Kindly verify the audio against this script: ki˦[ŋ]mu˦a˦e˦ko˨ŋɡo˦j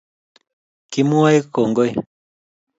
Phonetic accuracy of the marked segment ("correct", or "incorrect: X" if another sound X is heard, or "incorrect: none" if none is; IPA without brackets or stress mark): incorrect: none